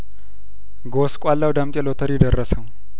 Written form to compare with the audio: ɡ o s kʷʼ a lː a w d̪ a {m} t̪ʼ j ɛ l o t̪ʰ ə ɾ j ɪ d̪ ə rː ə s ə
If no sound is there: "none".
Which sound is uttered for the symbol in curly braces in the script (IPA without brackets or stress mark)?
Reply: m